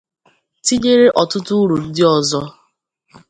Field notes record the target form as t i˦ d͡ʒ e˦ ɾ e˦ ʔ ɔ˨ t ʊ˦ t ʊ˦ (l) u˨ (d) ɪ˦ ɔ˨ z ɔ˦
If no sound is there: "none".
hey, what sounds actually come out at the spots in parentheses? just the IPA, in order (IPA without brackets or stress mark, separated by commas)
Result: ɾ, d